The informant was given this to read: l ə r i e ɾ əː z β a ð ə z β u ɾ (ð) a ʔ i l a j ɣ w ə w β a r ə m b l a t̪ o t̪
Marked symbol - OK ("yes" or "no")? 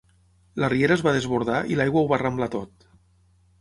yes